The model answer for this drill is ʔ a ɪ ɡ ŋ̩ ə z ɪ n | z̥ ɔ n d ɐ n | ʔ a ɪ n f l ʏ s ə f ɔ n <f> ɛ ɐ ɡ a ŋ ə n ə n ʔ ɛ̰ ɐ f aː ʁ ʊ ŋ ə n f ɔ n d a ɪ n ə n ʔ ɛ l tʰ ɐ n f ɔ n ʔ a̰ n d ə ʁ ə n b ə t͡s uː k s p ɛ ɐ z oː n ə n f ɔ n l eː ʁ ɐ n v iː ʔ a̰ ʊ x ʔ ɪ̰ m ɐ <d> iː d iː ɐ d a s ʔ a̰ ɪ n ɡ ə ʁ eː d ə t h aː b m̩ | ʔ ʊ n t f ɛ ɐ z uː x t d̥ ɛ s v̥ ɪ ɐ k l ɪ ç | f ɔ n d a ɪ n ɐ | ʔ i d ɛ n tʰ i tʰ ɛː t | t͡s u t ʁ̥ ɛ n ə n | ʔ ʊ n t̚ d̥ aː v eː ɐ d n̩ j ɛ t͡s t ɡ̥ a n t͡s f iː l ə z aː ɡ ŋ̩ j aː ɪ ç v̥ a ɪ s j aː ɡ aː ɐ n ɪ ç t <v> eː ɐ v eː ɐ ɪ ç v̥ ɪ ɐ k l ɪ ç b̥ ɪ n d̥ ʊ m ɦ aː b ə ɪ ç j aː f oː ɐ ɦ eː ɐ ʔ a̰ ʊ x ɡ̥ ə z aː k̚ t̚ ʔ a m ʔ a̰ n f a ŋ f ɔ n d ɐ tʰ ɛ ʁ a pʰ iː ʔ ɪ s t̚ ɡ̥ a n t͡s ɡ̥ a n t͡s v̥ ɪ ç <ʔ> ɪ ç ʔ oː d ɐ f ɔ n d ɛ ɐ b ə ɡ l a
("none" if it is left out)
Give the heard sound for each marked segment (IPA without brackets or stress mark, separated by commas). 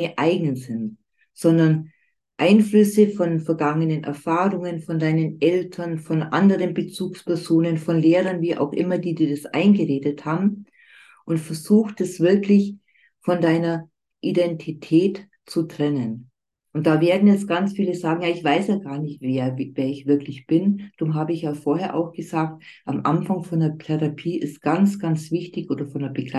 f, d, v, t